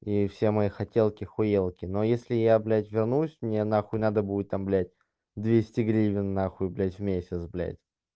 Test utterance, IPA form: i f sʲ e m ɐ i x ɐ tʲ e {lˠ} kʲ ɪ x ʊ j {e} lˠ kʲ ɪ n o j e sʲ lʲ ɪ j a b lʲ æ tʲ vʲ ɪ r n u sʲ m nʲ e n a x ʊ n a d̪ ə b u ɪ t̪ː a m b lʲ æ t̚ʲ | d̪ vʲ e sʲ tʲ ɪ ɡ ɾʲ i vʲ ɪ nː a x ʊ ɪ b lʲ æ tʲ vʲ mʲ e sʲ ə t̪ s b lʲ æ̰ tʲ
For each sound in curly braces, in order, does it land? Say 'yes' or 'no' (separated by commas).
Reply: yes, yes